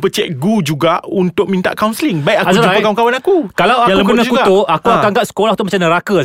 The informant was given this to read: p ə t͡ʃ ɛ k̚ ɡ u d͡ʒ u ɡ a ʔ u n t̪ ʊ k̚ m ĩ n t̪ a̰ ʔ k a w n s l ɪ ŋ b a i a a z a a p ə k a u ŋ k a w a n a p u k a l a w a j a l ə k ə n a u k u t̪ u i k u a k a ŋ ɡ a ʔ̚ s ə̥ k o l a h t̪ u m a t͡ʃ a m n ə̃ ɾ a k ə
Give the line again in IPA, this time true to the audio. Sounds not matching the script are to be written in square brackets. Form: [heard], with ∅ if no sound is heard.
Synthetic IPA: p ə t͡ʃ ɛ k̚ ɡ u d͡ʒ u ɡ a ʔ u n t̪ ʊ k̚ m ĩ n t̪ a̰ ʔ k a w n s l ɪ ŋ b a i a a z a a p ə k a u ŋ k a w a n a [k] u k a l a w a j a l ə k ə n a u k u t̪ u [a] k u a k a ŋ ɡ a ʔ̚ s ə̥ k o l a h t̪ u m a t͡ʃ a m n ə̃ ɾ a k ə